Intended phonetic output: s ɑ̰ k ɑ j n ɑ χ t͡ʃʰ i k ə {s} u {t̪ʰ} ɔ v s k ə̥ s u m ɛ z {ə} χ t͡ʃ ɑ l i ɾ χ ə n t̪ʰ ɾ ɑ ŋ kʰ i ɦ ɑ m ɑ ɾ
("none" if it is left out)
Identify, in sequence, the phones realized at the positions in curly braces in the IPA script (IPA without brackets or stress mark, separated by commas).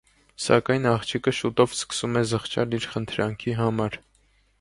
ʃ, t̪, ə